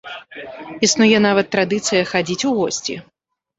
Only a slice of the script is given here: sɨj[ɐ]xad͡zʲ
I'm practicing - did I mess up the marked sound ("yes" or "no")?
no